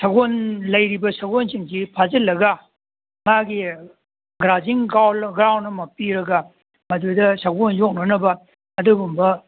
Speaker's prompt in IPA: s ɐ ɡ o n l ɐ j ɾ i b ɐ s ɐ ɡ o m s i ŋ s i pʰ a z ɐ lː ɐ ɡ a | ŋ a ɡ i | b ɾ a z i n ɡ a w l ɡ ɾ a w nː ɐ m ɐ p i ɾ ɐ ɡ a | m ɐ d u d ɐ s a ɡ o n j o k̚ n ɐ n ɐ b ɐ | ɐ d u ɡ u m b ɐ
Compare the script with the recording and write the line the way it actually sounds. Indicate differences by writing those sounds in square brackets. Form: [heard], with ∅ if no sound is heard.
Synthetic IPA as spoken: s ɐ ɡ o n l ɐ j ɾ i b ɐ s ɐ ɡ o [n] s i ŋ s i pʰ a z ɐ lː ɐ ɡ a | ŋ a ɡ i | [ɡ] ɾ a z i [ŋ] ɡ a w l ɡ ɾ a w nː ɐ m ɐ p i ɾ ɐ ɡ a | m ɐ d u d ɐ s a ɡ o n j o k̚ n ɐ n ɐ b ɐ | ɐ d u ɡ u m b ɐ

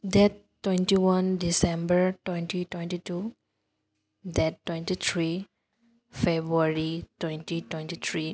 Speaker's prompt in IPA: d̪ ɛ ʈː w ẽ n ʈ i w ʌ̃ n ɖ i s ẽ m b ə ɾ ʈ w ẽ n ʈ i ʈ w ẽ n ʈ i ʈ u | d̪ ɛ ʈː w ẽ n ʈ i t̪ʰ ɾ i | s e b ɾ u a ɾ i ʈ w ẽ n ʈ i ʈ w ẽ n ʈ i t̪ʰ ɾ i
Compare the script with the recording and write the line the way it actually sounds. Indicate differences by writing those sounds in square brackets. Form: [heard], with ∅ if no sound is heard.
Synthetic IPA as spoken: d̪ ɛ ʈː w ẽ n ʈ i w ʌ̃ n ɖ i s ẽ m b ə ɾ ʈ w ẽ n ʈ i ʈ w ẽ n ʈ i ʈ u | d̪ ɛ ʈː w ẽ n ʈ i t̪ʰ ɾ i | [f] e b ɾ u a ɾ i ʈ w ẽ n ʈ i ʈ w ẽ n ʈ i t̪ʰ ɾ i

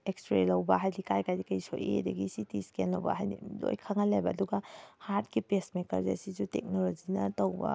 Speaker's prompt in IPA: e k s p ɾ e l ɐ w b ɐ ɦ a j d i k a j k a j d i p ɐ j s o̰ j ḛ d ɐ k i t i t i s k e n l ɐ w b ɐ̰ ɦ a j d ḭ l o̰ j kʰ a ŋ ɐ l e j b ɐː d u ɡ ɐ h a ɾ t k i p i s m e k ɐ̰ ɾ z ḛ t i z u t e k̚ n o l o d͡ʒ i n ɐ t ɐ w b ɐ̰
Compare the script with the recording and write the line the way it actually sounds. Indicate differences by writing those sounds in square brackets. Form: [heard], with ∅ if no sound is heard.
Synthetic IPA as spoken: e k s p ɾ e l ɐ w b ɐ ɦ a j d i k a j k a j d i [k] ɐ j s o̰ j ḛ d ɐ [ɡ] i [s] i t i s k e n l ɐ w b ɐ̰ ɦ a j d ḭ l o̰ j kʰ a ŋ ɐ l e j b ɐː d u ɡ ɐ h a ɾ t k i p [e] s m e k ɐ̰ ɾ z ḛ [s] i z u t e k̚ n o l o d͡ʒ i n ɐ t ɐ w b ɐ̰

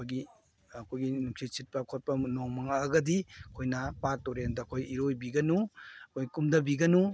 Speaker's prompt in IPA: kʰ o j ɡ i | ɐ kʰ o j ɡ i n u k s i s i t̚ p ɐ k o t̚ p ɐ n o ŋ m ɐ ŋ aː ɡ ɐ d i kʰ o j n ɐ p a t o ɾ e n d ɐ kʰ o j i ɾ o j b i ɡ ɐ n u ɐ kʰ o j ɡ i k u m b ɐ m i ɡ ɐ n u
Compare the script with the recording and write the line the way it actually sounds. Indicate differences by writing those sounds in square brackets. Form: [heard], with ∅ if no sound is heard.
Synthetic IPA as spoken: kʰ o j ɡ i | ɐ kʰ o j ɡ i n u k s i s i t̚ p ɐ [kʰ] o t̚ p ɐ n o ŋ m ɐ ŋ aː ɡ ɐ d i kʰ o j n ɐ p a t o ɾ e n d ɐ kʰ o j i ɾ o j b i ɡ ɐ n u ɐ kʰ o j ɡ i k u m [d] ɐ [b] i ɡ ɐ n u

